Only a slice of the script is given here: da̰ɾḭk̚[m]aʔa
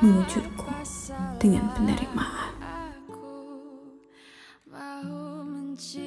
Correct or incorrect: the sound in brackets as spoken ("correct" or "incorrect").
correct